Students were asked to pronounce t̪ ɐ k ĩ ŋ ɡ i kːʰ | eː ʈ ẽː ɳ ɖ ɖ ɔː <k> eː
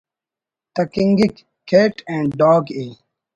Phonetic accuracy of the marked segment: incorrect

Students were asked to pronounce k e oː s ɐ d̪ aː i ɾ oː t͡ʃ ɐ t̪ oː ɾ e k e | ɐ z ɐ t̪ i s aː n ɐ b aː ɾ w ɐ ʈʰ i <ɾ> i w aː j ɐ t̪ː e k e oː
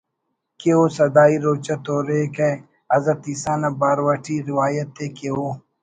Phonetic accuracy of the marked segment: correct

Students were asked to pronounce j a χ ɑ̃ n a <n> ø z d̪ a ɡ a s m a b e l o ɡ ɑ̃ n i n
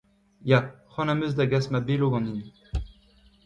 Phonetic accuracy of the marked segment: incorrect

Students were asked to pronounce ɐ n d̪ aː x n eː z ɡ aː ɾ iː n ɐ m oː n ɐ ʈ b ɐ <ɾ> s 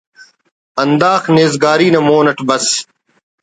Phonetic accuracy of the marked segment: incorrect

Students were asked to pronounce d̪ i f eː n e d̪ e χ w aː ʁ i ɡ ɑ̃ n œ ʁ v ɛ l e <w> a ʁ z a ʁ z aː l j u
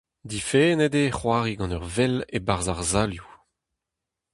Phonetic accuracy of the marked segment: incorrect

